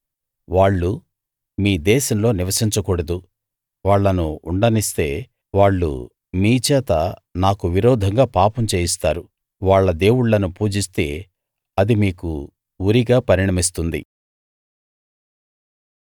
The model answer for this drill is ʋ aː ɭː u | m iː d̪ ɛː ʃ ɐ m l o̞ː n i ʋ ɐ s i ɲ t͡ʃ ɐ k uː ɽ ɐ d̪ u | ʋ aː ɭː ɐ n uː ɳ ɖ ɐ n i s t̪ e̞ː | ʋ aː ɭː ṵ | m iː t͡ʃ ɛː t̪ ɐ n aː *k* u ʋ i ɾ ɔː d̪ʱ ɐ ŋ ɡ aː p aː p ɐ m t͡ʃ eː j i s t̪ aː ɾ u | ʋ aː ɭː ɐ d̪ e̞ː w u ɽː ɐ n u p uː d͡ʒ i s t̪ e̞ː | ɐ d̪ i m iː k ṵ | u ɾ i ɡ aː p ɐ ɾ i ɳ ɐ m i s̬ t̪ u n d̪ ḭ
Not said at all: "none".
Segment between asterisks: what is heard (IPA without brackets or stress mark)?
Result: k